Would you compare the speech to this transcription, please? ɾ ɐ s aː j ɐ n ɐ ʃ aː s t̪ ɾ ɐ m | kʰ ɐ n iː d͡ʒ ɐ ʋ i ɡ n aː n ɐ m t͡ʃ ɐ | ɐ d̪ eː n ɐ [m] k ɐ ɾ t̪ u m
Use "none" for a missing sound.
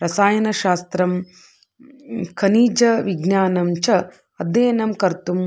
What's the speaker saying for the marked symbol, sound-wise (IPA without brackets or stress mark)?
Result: m